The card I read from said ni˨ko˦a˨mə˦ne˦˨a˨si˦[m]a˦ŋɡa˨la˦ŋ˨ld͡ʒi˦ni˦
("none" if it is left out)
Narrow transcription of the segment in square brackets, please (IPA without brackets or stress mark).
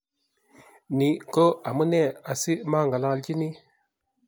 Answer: m